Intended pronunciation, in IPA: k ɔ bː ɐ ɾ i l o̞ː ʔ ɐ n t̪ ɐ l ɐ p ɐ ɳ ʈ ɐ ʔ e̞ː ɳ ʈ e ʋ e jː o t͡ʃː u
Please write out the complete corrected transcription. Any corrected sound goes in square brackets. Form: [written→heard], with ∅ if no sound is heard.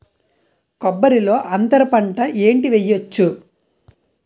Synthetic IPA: k ɔ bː ɐ ɾ i l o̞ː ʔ ɐ n t̪ ɐ [l→ɾ] ɐ p ɐ ɳ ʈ ɐ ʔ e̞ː ɳ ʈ [e→i] ʋ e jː o t͡ʃː u